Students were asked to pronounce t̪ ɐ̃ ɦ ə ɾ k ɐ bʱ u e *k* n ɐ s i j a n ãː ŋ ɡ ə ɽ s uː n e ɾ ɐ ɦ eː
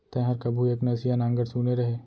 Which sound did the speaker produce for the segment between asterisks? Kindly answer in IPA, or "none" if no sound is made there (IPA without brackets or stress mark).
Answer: k